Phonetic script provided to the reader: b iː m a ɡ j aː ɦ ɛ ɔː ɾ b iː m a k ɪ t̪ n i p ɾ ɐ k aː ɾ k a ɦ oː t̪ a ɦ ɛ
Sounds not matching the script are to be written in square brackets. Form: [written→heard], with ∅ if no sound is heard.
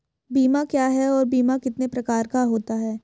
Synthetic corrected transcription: b iː m a [ɡ→k] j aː ɦ ɛ ɔː ɾ b iː m a k ɪ t̪ n [i→e] p ɾ ɐ k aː ɾ k a ɦ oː t̪ a ɦ [ɛ→ɛː]